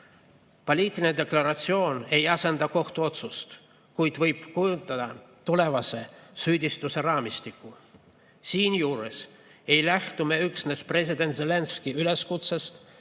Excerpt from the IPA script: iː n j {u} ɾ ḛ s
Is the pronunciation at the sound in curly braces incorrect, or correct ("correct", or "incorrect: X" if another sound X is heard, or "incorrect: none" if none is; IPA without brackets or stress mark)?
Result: incorrect: uː